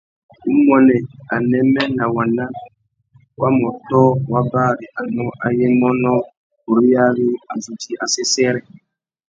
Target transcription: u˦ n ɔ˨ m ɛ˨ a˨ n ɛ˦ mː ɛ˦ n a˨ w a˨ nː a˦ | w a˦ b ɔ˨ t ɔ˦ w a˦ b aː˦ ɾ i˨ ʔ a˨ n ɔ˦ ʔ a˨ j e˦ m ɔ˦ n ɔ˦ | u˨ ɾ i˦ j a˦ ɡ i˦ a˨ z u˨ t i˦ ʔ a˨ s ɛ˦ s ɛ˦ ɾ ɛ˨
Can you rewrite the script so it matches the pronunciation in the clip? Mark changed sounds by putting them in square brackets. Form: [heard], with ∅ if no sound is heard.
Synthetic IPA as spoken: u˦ [m] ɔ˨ [n] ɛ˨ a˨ n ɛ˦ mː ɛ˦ n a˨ w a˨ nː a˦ | w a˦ [m] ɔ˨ t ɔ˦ w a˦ b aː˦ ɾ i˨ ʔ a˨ n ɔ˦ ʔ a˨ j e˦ m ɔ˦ n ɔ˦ | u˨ ɾ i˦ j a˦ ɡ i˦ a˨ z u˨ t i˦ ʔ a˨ s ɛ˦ s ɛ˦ ɾ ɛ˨